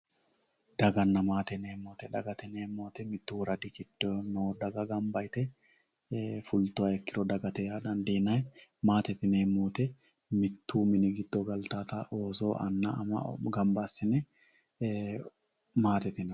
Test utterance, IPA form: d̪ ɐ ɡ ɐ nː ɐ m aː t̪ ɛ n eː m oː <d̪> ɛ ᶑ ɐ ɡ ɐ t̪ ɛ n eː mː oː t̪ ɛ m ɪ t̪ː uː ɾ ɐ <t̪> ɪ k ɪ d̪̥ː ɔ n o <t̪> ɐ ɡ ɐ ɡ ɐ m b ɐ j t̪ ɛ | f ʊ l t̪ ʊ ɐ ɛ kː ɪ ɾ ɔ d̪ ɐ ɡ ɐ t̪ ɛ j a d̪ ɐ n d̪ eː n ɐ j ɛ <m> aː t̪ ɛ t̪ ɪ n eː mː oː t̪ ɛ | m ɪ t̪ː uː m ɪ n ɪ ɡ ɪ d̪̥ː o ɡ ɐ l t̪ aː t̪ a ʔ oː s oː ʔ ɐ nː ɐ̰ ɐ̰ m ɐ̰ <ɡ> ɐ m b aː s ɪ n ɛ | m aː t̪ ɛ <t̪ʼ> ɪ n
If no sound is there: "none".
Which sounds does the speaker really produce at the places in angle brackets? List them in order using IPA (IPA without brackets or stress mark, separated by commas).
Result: t̪, d̪, d̪, m, ɡ, t̪